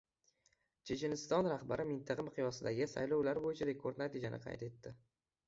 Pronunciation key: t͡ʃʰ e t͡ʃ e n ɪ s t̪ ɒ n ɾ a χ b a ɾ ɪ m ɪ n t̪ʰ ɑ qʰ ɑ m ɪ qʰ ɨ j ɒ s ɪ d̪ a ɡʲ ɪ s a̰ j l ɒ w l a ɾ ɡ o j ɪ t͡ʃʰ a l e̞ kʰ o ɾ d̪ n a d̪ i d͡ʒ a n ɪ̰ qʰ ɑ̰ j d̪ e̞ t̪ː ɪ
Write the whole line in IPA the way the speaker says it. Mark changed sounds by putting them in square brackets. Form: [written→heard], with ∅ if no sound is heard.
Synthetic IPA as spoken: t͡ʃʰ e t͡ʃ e n ɪ s t̪ ɒ n ɾ a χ b a ɾ ɪ m ɪ n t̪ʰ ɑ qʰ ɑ m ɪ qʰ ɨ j ɒ s ɪ d̪ a ɡʲ ɪ s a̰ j l ɒ w l a ɾ [ɡ→b] o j ɪ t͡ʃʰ a [l→ɾ] e̞ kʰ o ɾ d̪ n a [d̪→t̪] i d͡ʒ a n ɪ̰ qʰ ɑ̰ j [d̪→t̪] e̞ t̪ː ɪ